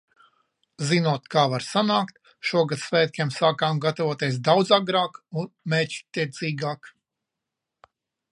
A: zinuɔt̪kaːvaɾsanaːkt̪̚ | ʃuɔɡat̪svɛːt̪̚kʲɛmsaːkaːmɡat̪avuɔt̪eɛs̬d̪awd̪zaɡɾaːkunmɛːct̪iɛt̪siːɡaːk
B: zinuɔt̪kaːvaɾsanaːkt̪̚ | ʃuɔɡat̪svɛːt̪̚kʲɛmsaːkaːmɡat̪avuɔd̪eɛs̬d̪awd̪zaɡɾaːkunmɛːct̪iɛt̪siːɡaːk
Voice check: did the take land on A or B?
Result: A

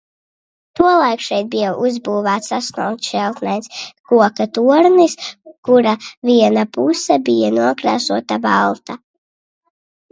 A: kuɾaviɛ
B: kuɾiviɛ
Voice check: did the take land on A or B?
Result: A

